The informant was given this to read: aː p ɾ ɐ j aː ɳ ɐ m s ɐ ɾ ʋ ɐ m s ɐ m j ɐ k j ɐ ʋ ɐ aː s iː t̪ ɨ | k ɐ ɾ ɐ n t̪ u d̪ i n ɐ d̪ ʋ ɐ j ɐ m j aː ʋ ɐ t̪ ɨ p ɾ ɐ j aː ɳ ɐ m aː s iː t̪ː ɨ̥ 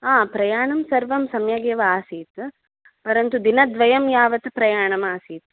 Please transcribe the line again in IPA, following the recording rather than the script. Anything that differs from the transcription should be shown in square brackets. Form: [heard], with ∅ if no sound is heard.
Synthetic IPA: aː p ɾ ɐ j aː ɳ ɐ m s ɐ ɾ ʋ ɐ m s ɐ m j ɐ [ɡ] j ɐ ʋ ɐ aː s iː t̪ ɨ | [p] ɐ ɾ ɐ n t̪ u d̪ i n ɐ d̪ ʋ ɐ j ɐ m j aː ʋ ɐ t̪ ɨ p ɾ ɐ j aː ɳ ɐ m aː s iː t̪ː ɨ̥